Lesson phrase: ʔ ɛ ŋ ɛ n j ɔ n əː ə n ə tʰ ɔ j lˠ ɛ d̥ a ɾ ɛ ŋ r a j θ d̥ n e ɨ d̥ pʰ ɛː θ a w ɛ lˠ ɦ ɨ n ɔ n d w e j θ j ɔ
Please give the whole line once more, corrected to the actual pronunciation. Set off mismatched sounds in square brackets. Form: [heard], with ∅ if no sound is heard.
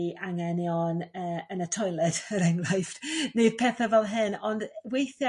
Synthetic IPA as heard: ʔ [a] ŋ ɛ n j ɔ n əː ə n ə tʰ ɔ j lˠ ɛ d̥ [ə] ɾ ɛ ŋ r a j [f] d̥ n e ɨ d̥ pʰ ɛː θ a [v] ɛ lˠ ɦ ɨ n ɔ n d w e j θ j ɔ